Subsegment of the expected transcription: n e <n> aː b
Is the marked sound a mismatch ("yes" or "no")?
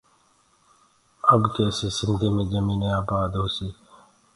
yes